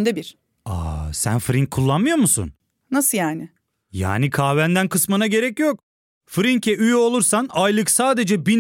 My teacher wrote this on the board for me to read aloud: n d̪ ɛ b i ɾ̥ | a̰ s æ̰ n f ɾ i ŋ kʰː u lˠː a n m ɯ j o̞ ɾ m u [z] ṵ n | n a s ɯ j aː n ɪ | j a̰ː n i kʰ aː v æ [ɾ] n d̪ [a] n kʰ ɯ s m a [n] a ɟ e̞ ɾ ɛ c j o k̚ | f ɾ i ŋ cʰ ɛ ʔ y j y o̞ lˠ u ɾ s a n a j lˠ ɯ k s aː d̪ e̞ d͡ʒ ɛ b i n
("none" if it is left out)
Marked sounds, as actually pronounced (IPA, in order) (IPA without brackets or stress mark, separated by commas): s, none, æ, n